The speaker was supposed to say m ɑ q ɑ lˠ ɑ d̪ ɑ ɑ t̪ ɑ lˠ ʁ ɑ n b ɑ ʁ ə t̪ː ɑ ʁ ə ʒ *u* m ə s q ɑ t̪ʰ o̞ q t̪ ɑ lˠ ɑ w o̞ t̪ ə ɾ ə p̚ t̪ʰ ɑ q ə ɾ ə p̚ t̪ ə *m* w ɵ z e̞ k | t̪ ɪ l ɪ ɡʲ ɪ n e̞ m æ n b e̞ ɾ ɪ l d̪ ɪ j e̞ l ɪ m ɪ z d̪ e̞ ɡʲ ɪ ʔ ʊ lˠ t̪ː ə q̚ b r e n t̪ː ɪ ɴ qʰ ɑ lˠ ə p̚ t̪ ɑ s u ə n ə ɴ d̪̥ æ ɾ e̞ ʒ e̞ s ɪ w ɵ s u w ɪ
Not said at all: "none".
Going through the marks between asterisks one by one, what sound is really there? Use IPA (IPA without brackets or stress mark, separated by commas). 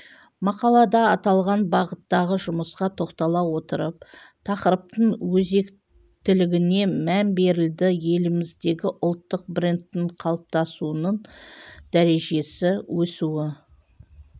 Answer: ʊ, ɴ